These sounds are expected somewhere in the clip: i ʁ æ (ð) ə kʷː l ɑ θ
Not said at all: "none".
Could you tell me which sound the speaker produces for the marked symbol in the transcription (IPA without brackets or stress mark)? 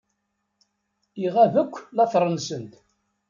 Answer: v